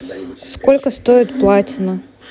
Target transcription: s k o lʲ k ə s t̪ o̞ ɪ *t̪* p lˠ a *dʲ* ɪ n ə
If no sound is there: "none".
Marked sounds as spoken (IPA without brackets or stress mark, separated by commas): t̪, tʲ